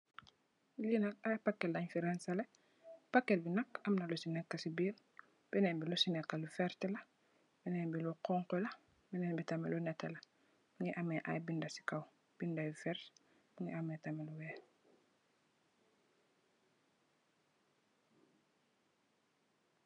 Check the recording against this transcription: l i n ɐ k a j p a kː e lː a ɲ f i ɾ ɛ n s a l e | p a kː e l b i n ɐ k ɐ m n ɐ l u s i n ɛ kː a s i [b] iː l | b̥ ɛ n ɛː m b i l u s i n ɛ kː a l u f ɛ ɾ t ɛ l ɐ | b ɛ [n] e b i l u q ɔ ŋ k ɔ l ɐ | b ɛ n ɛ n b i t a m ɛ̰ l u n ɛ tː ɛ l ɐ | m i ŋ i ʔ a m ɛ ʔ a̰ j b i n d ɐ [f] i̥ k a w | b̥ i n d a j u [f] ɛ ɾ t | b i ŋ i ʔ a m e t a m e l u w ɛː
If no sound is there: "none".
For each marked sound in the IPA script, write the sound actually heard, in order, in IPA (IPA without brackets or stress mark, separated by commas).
b, n, s, f